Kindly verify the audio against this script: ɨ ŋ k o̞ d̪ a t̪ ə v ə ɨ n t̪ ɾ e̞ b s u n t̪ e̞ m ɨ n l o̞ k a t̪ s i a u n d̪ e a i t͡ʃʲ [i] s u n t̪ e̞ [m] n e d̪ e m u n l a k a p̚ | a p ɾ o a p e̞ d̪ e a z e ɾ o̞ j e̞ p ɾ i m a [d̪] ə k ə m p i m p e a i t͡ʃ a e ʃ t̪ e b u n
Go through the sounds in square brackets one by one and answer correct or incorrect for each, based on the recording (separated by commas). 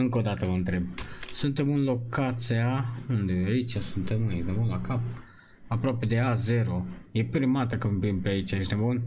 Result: incorrect, correct, incorrect